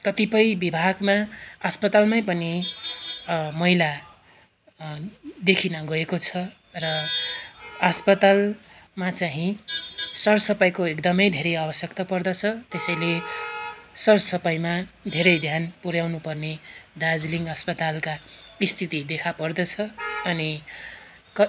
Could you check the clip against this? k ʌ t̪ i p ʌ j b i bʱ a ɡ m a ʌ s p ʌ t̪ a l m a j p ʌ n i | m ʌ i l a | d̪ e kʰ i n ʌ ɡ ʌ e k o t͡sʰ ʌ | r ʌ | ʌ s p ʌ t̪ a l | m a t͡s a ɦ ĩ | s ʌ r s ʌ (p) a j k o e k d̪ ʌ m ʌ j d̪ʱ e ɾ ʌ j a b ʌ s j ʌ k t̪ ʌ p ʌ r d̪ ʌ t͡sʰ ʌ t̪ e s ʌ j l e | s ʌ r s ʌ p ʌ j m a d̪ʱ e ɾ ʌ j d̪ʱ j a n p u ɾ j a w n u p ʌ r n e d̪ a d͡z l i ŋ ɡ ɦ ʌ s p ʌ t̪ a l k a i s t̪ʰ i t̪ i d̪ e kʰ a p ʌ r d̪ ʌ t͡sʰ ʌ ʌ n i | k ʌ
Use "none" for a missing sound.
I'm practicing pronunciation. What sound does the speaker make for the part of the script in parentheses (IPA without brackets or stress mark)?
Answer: p